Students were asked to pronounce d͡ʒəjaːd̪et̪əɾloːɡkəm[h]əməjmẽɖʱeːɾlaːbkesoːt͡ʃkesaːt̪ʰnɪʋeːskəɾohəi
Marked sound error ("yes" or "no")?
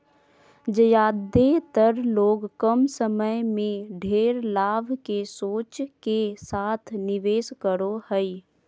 yes